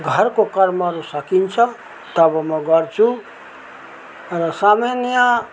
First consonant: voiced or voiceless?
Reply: voiced